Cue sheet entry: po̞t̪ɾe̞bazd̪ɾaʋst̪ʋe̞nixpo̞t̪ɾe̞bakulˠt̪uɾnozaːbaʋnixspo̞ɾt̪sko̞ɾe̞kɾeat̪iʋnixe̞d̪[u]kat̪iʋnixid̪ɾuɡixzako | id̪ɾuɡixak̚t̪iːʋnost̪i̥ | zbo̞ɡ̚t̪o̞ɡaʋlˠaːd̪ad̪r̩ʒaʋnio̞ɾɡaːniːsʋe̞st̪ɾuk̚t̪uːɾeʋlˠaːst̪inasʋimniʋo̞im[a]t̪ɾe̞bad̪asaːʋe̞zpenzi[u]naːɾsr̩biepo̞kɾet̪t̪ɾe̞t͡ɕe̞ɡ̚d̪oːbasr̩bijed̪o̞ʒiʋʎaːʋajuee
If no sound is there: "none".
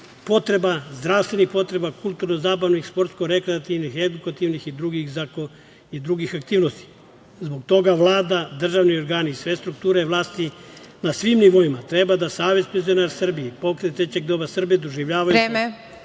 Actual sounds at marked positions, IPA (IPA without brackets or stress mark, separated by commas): u, a, o